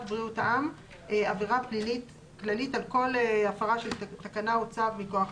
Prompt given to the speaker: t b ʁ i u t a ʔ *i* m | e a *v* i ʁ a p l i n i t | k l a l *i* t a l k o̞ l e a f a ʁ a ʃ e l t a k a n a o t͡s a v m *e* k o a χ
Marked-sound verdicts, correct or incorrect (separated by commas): incorrect, correct, correct, incorrect